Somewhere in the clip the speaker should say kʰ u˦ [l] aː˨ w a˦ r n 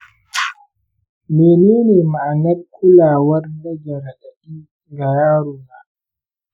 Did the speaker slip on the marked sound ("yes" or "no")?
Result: no